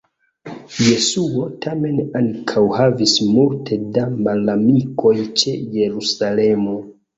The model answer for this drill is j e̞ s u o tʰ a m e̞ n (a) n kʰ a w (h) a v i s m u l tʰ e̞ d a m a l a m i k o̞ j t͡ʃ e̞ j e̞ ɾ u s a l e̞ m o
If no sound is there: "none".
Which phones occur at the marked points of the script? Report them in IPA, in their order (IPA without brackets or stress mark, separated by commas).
a, h